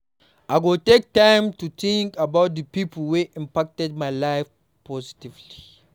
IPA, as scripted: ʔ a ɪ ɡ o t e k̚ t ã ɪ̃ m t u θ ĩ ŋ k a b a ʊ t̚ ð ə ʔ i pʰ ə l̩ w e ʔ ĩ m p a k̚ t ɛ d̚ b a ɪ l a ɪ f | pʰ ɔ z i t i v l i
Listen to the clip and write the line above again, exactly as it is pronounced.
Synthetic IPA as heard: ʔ a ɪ ɡ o t e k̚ t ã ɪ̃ m t u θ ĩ ŋ k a b a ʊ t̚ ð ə p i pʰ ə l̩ w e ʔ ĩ m p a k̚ t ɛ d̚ m a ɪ l a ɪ f | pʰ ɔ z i t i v l i